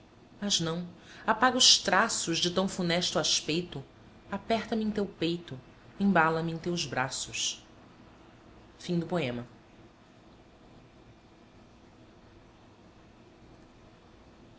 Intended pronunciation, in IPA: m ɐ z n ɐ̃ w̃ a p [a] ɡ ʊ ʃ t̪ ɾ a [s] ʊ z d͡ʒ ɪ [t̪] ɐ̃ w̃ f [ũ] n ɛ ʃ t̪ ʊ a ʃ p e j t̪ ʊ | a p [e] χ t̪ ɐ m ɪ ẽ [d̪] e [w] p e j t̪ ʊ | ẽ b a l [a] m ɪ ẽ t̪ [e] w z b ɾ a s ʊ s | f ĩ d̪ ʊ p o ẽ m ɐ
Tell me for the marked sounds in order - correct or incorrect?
correct, correct, correct, incorrect, incorrect, incorrect, correct, incorrect, correct

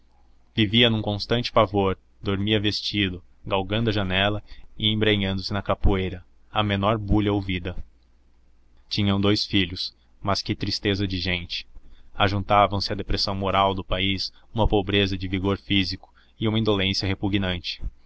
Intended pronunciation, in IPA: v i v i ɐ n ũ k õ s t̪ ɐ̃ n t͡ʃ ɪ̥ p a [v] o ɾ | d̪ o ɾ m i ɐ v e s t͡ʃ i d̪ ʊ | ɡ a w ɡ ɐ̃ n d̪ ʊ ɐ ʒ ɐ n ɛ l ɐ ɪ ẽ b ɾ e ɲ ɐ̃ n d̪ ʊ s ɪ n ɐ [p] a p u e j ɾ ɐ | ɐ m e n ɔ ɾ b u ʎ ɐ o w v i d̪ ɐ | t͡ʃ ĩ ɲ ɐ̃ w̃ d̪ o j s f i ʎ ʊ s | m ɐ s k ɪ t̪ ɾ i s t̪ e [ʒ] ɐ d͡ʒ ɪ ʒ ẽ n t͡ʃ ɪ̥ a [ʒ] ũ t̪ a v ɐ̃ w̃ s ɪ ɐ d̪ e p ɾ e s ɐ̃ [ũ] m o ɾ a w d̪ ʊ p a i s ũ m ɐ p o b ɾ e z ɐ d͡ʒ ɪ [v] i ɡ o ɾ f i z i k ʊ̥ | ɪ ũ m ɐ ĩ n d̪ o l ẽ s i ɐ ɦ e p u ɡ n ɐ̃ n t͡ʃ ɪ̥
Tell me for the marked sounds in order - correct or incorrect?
correct, incorrect, incorrect, correct, incorrect, correct

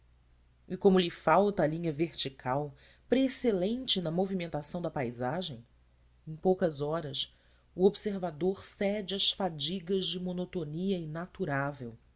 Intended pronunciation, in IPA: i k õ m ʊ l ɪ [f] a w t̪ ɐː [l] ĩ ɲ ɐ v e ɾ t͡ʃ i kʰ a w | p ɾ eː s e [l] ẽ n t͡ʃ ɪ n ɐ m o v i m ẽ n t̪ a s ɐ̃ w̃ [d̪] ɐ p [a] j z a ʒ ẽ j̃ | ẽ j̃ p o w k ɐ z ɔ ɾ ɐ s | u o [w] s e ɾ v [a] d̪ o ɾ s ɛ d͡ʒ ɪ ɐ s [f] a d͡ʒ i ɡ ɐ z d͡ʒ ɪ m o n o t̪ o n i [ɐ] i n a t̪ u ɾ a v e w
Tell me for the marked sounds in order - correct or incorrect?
correct, correct, correct, correct, correct, incorrect, correct, correct, correct

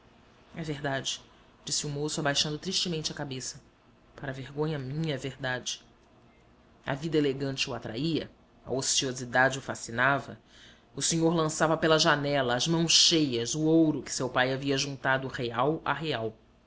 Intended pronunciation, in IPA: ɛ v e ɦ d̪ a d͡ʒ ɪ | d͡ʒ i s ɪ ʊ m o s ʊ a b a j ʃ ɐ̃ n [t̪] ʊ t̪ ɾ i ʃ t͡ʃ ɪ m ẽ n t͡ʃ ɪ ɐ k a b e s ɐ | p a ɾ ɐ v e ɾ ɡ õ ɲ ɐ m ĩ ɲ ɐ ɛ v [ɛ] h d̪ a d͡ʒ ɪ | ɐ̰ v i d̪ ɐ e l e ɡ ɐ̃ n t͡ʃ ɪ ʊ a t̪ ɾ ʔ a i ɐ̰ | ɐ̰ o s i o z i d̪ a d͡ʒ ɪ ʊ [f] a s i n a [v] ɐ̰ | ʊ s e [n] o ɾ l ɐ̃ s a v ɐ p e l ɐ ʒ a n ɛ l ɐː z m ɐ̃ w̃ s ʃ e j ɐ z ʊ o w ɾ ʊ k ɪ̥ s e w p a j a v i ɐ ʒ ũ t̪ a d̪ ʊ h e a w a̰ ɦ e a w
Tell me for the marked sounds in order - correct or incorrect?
incorrect, incorrect, correct, correct, incorrect

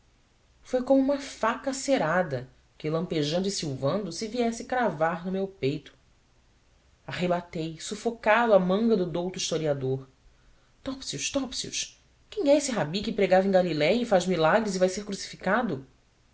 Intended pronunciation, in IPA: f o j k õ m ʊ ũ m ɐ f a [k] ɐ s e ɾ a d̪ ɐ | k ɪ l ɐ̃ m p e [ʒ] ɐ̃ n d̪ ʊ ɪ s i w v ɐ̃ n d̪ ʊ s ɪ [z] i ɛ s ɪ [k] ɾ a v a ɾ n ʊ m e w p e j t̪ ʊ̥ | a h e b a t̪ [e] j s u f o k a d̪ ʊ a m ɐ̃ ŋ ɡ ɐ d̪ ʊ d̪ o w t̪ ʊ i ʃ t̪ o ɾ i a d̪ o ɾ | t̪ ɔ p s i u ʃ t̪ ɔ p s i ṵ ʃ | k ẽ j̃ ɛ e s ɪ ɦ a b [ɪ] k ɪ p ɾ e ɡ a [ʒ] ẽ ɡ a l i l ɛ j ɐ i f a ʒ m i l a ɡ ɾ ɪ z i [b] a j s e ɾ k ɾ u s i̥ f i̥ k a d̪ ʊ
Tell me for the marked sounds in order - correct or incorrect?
correct, correct, incorrect, correct, correct, incorrect, incorrect, incorrect

